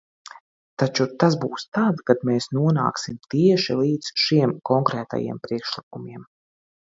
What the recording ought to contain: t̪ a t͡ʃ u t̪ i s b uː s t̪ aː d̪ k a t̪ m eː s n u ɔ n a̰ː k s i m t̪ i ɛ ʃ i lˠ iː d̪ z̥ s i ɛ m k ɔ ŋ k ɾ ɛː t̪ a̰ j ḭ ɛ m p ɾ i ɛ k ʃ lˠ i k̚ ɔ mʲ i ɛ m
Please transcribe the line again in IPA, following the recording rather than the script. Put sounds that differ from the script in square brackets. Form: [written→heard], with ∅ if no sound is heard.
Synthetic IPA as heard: t̪ a t͡ʃ u t̪ [i→a] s b uː s t̪ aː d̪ k a [t̪→d̪] m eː s n u ɔ n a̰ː k s i m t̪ i ɛ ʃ i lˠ iː d̪ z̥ [s→ʃ] i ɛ m k ɔ ŋ k ɾ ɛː t̪ a̰ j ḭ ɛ m p ɾ i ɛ k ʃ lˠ i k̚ [ɔ→u] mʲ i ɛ m